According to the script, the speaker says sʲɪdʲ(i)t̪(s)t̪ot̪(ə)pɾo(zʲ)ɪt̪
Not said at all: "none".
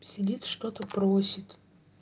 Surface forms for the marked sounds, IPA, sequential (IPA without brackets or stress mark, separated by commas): i, ʂ, ə, sʲ